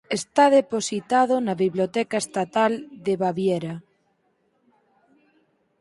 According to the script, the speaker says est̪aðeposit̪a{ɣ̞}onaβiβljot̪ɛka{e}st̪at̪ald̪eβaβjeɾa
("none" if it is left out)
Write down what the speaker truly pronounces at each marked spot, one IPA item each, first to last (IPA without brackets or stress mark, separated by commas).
ð̞, e